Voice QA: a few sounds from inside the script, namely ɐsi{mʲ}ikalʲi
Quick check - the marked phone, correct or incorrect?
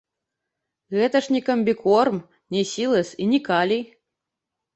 incorrect: nʲ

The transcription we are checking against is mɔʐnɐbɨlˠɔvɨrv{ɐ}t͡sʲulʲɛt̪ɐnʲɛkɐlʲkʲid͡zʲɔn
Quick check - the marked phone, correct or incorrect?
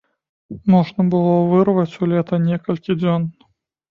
correct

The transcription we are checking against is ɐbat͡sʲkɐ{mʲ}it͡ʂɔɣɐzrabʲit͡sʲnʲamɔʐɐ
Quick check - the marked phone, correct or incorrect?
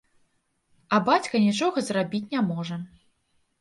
incorrect: nʲ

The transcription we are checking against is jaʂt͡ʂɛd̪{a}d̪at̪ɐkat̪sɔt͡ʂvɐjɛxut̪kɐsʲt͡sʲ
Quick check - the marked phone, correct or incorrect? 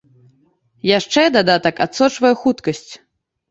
correct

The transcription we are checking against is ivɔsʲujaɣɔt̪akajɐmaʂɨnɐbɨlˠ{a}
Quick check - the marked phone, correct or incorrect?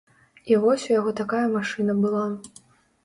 correct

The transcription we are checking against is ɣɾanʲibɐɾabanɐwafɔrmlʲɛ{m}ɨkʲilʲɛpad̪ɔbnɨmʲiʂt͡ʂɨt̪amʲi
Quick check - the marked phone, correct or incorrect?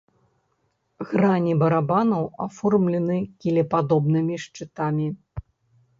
incorrect: n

